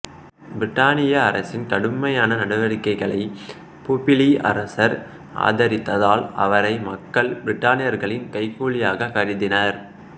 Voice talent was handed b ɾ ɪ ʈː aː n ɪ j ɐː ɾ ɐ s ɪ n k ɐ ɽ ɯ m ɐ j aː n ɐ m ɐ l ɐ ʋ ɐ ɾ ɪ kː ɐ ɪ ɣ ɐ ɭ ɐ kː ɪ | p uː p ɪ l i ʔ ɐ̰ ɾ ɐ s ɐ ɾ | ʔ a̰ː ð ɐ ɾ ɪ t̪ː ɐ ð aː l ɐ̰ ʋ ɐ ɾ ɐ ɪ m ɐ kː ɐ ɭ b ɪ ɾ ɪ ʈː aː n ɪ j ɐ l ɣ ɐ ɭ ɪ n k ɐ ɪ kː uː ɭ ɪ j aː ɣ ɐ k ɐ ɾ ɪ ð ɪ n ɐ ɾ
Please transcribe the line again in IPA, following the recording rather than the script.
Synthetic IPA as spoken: b ɾ ɪ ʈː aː n ɪ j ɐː ɾ ɐ s ɪ n k ɐ ɽ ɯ m ɐ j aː n ɐ n ɐ ɽ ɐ ʋ ɐ ɾ ɪ kː ɐ ɪ ɣ ɐ ɭ ɐ ɪ | p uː p ɪ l i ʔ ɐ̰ ɾ ɐ s ɐ ɾ | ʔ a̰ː ð ɐ ɾ ɪ t̪ː ɐ ð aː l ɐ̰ ʋ ɐ ɾ ɐ ɪ m ɐ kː ɐ ɭ b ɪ ɾ ɪ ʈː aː n ɪ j ɐ ɾ ɣ ɐ ɭ ɪ n k ɐ ɪ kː uː ɭ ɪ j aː ɣ ɐ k ɐ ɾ ɪ ð ɪ n ɐ ɾ